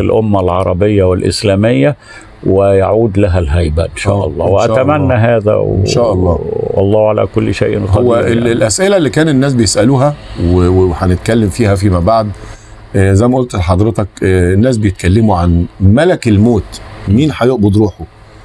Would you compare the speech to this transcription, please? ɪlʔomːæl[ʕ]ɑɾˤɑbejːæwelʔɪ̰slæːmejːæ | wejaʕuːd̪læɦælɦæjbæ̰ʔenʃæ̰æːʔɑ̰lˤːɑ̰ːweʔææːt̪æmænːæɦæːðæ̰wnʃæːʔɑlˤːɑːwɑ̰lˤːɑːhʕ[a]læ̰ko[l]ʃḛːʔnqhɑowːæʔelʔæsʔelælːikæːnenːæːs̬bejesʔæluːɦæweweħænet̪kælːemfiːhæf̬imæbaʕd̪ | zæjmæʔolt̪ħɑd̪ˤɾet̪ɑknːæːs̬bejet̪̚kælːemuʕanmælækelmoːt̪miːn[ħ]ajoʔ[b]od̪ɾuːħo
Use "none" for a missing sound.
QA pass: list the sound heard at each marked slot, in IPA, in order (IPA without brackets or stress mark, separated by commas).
ʕ, a, lː, ħ, b